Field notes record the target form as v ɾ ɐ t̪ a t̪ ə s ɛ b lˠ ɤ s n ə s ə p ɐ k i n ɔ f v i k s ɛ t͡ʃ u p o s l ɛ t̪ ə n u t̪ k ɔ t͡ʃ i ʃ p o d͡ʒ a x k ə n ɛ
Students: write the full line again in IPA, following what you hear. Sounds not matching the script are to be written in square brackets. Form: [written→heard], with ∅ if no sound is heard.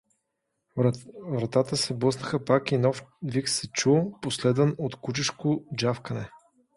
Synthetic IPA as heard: v ɾ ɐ t̪ a t̪ ə s ɛ b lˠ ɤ s n ə [s→x] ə p [ɐ→a] k i n ɔ f v i k s ɛ t͡ʃ u p o s l ɛ [t̪→d̪] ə n [u→o] t̪ k [ɔ→u] t͡ʃ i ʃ [p→k] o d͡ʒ a [x→f] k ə n ɛ